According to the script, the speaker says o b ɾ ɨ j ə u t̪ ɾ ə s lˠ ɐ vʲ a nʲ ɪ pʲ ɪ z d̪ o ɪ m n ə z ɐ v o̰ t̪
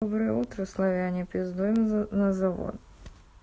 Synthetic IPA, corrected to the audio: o b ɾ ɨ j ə u t̪ ɾ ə s lˠ ɐ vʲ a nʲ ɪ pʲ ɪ z d̪ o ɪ m n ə z ɐ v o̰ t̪